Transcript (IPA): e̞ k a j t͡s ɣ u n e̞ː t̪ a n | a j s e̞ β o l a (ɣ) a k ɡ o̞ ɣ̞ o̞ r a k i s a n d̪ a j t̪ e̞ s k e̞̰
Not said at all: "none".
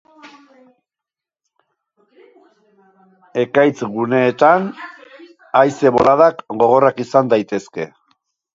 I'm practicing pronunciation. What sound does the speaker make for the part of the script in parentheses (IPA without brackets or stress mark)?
ð